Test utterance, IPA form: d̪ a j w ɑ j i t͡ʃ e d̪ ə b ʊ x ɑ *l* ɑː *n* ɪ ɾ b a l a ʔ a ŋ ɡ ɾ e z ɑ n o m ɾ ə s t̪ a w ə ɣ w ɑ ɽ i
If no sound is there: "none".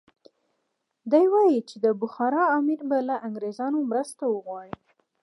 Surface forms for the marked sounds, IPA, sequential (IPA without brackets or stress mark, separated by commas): ɾ, m